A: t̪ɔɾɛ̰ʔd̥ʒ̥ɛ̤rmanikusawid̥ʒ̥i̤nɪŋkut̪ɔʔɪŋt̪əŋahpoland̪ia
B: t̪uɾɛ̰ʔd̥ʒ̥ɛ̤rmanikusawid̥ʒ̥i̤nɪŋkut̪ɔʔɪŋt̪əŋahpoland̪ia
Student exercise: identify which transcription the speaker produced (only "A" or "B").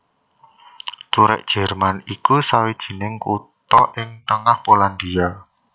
B